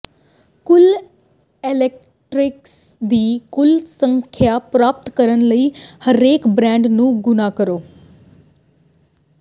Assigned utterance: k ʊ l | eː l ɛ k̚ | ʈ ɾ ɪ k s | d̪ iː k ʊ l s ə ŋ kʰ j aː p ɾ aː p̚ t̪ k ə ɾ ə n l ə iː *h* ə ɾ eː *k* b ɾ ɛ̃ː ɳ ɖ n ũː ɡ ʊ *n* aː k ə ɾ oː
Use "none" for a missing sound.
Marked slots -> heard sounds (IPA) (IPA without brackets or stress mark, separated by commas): h, k, n